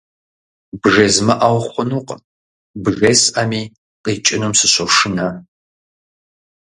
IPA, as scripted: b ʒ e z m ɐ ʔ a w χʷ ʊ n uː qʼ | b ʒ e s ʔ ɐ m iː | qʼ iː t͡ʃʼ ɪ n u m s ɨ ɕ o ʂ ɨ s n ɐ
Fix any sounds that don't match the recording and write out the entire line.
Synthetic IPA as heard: b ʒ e z m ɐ ʔ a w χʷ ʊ n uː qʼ | b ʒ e s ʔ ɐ m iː | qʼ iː t͡ʃʼ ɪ n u m s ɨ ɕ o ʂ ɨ n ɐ